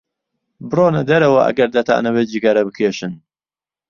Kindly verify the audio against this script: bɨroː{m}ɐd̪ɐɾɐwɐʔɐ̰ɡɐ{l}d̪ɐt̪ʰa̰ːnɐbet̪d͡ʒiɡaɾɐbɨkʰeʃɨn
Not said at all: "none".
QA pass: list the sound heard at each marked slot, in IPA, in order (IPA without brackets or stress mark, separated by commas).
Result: n, ɾ